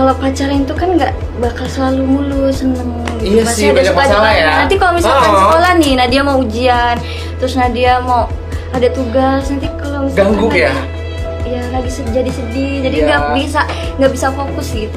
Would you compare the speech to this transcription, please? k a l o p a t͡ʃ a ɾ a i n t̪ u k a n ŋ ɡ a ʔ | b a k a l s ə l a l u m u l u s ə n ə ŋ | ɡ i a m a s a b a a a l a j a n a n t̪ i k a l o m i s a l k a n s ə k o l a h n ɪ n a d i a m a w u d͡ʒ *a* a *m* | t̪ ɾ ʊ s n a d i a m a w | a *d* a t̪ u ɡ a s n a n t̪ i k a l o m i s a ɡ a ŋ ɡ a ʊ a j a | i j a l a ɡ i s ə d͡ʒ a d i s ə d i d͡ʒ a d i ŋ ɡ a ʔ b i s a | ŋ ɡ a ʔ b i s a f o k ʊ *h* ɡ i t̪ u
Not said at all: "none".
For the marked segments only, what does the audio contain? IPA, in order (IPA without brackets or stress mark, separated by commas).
i, n, d, s